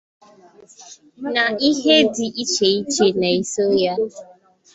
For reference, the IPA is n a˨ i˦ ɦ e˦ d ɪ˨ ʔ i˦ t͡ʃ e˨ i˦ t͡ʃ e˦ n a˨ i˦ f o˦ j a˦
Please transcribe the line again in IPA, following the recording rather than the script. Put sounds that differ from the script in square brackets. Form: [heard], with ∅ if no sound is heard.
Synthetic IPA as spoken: n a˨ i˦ ɦ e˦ d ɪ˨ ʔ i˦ t͡ʃ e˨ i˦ t͡ʃ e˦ n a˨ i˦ [s] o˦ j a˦